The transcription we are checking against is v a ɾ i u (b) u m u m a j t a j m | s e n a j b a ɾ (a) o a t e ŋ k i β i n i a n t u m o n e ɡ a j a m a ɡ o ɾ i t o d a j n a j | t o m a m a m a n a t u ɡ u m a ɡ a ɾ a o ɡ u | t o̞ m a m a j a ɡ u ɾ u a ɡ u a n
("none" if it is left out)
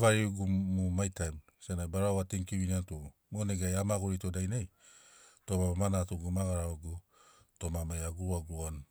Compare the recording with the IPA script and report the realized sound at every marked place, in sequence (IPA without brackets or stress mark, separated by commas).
ɡ, a